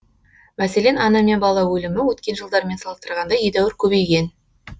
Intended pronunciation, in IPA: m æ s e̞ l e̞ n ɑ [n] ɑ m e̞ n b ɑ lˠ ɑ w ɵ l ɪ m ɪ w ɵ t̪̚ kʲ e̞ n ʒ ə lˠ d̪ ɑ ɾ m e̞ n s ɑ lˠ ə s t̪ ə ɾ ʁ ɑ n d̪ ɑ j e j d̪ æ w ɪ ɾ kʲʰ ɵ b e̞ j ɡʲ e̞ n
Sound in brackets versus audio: correct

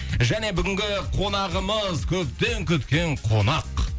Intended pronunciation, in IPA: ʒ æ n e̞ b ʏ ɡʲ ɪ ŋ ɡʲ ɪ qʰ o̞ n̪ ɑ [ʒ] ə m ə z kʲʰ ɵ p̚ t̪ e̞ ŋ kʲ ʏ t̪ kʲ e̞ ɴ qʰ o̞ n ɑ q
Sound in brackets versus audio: incorrect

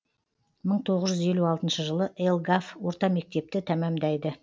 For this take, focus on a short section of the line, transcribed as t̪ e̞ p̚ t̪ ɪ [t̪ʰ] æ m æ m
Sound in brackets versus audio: correct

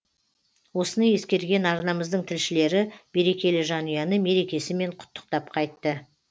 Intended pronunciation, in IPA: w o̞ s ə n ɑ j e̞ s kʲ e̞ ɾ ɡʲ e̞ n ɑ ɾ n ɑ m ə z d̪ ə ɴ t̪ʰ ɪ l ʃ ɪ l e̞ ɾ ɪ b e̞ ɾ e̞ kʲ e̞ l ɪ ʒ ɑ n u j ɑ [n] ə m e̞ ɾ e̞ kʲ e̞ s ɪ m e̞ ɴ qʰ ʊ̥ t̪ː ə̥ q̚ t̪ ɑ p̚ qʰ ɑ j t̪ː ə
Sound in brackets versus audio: correct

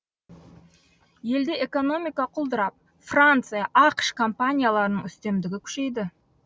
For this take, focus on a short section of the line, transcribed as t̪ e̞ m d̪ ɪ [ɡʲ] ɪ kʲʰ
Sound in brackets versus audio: correct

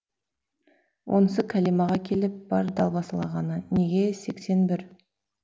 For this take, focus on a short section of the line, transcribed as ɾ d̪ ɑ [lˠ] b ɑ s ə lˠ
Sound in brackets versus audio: correct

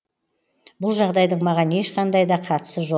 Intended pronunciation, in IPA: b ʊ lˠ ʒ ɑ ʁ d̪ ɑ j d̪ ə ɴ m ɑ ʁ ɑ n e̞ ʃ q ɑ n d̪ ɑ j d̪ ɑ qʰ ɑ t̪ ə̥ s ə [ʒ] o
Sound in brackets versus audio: correct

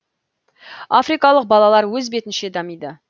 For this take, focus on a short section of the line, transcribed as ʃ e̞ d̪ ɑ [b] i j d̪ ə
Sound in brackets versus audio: incorrect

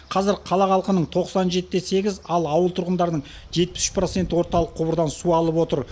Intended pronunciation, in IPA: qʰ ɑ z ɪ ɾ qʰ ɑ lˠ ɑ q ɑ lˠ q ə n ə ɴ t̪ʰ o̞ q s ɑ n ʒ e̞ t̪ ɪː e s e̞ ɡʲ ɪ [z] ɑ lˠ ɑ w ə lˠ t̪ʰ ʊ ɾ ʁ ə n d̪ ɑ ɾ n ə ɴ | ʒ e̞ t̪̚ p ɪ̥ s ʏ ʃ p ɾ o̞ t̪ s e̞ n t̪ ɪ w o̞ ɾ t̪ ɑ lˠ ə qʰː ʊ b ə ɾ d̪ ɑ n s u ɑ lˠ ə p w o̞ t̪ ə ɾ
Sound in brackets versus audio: correct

